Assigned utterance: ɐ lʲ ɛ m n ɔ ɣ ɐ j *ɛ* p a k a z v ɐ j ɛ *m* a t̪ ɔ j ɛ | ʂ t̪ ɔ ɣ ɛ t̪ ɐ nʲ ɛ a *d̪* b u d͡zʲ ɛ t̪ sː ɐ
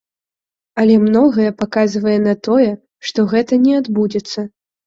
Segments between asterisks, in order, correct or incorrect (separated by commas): correct, incorrect, correct